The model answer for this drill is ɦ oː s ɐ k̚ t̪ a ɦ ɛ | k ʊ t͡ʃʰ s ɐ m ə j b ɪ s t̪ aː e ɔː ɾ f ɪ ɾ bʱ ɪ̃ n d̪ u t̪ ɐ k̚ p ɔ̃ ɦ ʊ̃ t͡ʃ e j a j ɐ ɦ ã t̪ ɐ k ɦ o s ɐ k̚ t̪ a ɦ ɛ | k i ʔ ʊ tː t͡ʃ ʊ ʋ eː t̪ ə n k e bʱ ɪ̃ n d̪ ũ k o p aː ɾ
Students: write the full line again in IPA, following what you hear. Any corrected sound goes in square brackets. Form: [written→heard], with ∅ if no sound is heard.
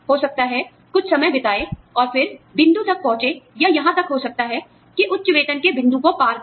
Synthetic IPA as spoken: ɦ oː s ɐ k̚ t̪ a ɦ ɛ | k ʊ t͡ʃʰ s ɐ m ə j b ɪ [s→∅] t̪ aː e ɔː ɾ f ɪ ɾ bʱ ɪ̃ n d̪ u t̪ ɐ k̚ p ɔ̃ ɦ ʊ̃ t͡ʃ e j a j ɐ ɦ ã t̪ ɐ k ɦ o s ɐ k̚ t̪ a ɦ ɛ | k i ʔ ʊ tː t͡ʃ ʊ ʋ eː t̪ ə n k e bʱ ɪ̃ n d̪ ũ k o p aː ɾ